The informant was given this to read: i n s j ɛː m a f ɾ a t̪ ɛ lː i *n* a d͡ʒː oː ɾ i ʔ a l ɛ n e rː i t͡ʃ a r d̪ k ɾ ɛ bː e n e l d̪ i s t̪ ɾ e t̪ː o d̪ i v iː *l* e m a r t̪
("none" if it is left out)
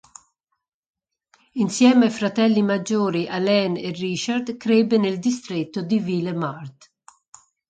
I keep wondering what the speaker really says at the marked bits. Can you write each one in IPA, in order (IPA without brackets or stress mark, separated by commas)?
m, l